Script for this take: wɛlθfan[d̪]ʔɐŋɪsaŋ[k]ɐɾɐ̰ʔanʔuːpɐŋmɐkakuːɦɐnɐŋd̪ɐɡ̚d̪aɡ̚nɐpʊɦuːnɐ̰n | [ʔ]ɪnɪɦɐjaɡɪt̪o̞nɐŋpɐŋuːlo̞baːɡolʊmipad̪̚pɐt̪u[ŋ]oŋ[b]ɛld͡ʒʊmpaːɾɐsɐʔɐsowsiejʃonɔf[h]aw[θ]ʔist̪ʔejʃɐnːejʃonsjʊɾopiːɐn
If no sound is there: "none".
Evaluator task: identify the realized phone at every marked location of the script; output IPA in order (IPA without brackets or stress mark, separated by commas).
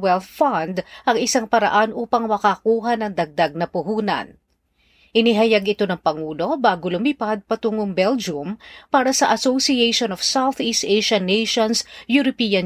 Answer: d̪, p, ʔ, ŋ, b, s, θ